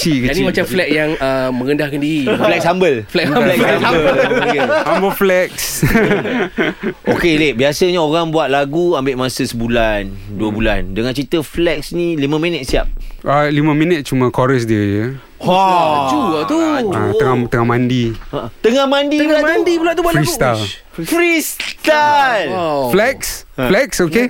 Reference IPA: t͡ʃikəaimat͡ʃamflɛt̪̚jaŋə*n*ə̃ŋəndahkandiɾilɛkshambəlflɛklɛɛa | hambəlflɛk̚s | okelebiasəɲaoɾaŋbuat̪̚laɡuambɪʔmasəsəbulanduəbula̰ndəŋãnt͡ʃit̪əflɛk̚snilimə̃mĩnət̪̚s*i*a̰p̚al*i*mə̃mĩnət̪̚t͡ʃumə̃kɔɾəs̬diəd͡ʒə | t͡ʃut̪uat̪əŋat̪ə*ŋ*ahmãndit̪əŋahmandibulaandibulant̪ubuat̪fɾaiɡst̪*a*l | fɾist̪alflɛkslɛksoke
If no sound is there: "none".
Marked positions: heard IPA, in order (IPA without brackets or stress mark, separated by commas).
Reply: m, i, i, ŋ, a